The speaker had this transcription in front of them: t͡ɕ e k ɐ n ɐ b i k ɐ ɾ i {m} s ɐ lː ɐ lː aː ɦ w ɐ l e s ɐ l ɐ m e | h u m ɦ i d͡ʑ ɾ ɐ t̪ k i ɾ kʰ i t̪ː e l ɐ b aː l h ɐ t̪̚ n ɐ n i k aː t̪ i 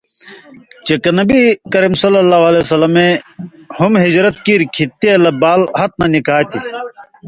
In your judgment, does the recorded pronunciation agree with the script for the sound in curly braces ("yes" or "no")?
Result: yes